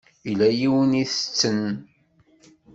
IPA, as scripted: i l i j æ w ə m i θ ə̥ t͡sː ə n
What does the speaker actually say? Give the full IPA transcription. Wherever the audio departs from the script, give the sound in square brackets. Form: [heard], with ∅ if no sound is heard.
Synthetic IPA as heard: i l [æ] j [i] w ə [n] i θ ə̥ t͡sː ə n